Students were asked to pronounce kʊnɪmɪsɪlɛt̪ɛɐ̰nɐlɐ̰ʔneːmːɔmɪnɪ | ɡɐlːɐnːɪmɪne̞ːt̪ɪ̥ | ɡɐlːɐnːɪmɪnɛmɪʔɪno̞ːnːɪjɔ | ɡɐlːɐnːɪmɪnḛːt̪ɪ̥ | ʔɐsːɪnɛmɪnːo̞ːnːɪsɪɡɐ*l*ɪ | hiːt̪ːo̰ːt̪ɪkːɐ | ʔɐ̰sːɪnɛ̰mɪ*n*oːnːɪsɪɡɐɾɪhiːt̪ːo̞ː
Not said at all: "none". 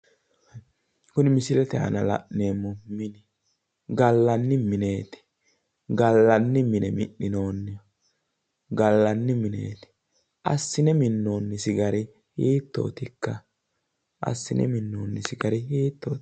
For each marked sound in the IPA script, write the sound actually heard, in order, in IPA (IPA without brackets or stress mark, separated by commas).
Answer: ɾ, nː